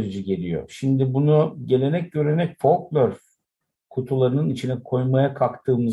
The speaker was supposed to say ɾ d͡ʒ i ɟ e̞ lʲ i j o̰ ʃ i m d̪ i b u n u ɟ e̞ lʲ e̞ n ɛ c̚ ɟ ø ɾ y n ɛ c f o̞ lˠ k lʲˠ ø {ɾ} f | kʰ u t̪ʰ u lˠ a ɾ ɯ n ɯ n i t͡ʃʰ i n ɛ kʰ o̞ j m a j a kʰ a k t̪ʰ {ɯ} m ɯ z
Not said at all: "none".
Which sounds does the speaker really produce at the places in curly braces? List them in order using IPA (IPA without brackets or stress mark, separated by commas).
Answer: ɾ, ɯː